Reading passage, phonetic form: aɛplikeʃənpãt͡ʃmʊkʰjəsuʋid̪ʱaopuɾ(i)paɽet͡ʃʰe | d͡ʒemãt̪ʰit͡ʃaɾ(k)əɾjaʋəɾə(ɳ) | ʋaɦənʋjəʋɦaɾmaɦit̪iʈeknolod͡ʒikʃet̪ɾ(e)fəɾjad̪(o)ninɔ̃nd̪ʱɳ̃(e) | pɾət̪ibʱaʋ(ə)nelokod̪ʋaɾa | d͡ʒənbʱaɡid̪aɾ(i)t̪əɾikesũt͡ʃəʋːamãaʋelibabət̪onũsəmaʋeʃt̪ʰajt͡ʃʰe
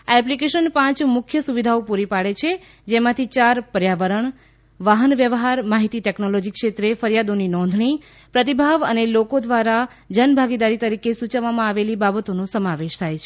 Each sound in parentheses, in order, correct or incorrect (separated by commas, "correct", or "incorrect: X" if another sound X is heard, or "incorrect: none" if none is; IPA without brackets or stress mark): correct, incorrect: p, correct, correct, correct, incorrect: i, correct, correct